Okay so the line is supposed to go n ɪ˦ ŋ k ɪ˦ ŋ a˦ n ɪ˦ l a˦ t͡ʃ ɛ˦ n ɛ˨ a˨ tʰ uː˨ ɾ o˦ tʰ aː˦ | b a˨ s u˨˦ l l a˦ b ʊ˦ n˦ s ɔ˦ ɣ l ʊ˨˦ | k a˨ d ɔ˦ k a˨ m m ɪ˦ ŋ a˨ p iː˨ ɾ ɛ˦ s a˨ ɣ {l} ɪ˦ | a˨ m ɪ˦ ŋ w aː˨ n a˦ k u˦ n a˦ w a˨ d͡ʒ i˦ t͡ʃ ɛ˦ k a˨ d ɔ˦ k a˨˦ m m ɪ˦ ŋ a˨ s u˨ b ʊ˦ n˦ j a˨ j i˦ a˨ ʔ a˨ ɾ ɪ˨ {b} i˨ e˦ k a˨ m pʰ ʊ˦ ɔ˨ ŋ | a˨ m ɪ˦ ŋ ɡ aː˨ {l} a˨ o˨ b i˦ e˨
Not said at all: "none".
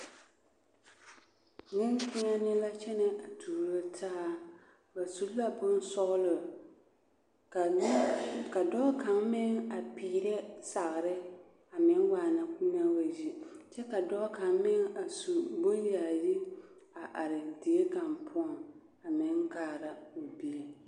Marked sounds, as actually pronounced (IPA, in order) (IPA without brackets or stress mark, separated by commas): ɾ, d, ɾ